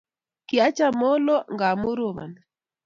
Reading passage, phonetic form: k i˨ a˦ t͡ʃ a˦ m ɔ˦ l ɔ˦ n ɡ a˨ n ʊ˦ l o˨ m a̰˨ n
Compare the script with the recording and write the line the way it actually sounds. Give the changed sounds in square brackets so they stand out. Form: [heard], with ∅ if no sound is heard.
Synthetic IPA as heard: k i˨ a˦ t͡ʃ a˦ m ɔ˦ l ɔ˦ [ŋ] ɡ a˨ [m] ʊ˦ [ɾ] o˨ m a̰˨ n